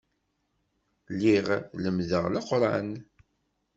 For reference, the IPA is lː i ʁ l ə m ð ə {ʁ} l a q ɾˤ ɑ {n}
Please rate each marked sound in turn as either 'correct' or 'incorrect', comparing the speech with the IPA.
correct, correct

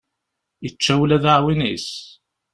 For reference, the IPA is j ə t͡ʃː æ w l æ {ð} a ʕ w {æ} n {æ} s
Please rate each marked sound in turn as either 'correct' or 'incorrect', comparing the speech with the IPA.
correct, incorrect, incorrect

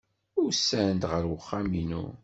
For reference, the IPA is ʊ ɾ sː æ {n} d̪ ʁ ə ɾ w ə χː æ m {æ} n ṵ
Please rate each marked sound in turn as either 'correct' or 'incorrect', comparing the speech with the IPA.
correct, incorrect

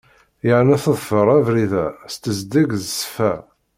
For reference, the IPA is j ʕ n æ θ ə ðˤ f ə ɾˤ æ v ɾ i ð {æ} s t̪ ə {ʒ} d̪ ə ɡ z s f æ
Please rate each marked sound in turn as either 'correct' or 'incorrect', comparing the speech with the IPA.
correct, incorrect

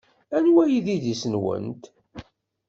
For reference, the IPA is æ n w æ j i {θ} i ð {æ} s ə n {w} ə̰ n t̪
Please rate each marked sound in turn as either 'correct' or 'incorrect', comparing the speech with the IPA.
incorrect, incorrect, correct

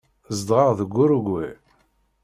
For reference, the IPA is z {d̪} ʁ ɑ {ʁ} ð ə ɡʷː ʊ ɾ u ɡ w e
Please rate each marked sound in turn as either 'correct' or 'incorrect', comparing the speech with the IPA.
correct, correct

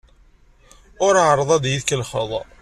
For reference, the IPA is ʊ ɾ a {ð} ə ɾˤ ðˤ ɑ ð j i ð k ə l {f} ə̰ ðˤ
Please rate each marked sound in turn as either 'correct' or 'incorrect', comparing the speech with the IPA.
incorrect, incorrect

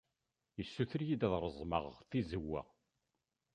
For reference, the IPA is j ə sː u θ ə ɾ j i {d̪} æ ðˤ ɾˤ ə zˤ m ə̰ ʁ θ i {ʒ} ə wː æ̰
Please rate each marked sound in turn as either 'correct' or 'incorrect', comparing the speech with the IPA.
correct, incorrect

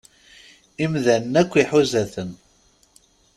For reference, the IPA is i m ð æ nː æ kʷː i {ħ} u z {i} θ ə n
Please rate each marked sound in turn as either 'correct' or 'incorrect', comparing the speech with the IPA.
correct, incorrect

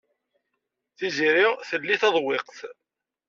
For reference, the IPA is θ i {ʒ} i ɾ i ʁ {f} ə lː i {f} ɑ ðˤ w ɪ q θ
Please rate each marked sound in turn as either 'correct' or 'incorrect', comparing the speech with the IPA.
incorrect, incorrect, incorrect

